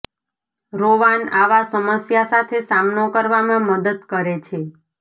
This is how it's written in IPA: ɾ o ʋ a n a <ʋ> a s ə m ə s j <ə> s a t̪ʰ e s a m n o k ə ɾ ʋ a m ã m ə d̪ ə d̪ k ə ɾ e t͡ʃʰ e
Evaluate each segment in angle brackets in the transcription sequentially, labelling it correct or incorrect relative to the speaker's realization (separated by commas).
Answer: correct, incorrect